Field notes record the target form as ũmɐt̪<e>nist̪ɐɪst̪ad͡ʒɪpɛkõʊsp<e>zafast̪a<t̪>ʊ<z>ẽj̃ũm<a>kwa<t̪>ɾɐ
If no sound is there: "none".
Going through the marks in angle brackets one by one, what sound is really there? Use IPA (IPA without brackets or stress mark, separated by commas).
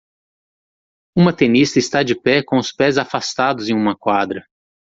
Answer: e, ɛ, d̪, z, ɐ, d̪